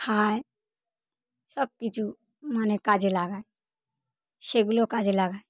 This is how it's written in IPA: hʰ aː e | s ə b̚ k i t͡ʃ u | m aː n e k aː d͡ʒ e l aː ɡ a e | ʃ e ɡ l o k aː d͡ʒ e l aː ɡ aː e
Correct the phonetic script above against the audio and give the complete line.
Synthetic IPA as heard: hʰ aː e | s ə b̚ k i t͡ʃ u | m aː n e k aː d͡ʒ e l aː ɡ a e | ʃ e ɡ l o k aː d͡ʒ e l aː ɡ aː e